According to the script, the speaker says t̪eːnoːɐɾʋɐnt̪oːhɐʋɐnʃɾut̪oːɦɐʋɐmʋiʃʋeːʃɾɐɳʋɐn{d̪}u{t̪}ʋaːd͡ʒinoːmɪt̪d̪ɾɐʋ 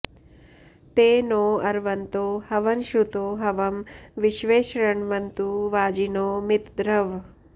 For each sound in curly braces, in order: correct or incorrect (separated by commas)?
incorrect, incorrect